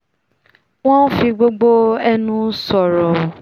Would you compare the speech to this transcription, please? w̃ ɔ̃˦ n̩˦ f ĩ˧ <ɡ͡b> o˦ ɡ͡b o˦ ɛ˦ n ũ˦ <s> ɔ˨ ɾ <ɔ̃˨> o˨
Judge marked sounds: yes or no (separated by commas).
yes, yes, no